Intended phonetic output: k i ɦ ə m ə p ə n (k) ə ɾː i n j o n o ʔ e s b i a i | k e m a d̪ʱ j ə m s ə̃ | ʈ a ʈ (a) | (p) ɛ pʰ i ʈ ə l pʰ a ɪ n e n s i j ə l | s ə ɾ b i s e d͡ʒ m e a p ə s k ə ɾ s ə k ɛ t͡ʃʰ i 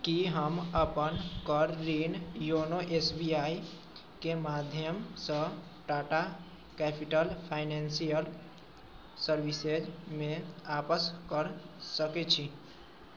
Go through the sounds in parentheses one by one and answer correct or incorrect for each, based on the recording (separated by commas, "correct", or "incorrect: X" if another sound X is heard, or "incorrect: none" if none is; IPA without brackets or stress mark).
correct, correct, incorrect: k